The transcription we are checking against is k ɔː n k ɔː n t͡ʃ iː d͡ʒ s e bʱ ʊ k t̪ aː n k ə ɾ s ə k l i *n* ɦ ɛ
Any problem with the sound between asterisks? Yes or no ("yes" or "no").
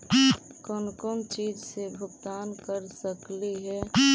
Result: yes